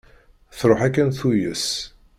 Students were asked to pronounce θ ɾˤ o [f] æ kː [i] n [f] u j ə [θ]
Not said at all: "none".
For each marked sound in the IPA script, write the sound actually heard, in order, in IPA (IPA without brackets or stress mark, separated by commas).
ħ, æ, θ, s